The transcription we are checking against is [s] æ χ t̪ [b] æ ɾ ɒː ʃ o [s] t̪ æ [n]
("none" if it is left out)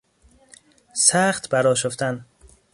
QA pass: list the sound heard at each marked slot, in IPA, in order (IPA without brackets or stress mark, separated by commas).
s, b, f, n